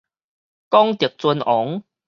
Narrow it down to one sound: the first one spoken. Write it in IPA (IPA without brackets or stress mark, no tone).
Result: k